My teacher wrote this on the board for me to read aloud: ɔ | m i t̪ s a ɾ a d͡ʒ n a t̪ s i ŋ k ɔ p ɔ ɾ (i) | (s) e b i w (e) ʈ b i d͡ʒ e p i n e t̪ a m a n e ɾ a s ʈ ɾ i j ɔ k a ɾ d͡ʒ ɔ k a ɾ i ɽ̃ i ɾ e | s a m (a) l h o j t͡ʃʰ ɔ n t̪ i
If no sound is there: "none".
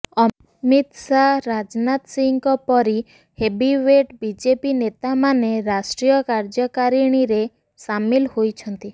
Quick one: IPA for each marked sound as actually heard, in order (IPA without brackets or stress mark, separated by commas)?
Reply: i, h, e, i